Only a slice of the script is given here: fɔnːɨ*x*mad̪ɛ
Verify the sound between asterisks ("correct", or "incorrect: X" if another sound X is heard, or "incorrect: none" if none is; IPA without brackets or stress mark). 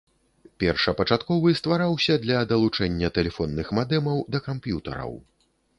correct